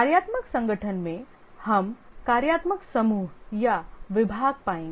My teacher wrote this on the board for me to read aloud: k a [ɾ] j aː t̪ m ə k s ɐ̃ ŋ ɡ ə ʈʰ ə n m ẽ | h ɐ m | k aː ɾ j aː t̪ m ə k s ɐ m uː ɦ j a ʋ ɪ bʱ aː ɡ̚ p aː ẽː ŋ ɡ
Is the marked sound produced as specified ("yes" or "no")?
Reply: yes